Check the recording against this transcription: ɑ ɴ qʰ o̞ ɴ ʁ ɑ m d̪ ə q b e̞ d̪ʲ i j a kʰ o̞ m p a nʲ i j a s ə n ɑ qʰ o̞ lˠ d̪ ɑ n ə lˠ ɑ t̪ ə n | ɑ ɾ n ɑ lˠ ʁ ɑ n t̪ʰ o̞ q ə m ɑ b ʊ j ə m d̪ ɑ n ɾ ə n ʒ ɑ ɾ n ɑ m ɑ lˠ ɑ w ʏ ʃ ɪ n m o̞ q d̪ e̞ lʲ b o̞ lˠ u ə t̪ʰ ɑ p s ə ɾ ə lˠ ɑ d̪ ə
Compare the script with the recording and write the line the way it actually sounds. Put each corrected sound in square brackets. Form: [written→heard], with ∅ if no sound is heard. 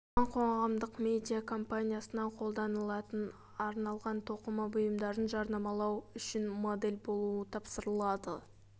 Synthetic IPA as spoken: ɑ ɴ qʰ o̞ ɴ ʁ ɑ m d̪ ə q [b→m] e̞ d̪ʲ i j a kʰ o̞ m p a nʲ i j a s ə n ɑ qʰ o̞ lˠ d̪ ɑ n ə lˠ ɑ t̪ ə n | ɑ ɾ n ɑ lˠ ʁ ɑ n t̪ʰ o̞ q ə m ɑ b ʊ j ə m d̪ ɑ [n→∅] ɾ ə n ʒ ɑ ɾ n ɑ m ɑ lˠ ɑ w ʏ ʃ ɪ n m o̞ [q→∅] d̪ e̞ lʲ b o̞ lˠ u ə t̪ʰ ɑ p s ə ɾ ə lˠ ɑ d̪ ə